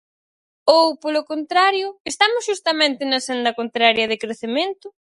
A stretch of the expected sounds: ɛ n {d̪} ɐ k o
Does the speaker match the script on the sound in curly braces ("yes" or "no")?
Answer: yes